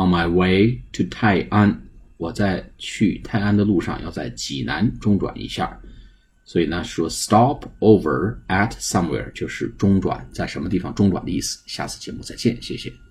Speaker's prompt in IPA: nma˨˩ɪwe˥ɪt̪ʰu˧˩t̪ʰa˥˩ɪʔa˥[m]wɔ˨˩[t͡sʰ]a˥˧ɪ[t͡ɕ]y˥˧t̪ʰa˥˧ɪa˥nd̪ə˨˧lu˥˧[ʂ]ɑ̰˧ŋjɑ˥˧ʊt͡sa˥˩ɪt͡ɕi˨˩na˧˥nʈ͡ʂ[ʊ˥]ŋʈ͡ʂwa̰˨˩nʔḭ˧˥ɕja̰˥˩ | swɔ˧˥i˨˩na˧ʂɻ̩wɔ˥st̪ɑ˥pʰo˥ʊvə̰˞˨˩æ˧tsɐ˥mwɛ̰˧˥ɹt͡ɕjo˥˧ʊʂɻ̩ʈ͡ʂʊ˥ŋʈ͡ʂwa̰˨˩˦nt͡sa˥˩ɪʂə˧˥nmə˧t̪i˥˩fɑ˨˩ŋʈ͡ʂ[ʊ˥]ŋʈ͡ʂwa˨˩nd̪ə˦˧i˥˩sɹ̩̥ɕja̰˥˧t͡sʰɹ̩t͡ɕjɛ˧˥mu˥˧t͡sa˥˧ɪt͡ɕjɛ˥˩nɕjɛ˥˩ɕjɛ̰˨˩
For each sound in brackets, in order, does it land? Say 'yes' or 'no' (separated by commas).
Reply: no, no, no, yes, yes, yes